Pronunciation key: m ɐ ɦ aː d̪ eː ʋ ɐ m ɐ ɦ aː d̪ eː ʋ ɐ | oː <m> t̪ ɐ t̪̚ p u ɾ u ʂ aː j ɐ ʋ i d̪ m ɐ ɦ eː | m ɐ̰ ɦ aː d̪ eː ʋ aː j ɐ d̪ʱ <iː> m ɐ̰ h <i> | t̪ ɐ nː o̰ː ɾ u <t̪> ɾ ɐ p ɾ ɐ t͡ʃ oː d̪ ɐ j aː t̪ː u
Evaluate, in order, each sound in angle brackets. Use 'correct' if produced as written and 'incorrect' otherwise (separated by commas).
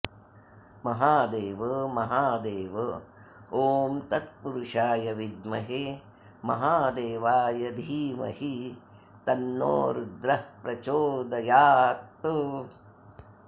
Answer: correct, correct, correct, incorrect